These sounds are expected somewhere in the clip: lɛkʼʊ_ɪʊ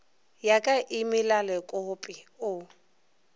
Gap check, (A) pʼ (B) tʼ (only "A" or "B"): A